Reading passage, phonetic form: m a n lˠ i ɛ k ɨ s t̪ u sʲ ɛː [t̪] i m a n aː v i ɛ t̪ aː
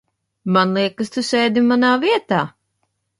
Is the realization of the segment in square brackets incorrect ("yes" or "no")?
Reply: yes